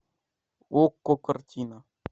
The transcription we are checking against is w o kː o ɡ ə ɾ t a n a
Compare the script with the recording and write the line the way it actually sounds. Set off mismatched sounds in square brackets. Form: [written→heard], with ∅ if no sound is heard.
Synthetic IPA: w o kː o [ɡ→k] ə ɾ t [a→i] n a